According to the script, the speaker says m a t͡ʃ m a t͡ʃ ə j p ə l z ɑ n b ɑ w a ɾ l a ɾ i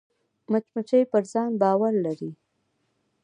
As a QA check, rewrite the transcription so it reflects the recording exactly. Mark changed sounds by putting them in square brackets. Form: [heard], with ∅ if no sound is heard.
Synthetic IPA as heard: m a t͡ʃ m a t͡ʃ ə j p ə [ɾ] z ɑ n b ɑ w a ɾ l a ɾ i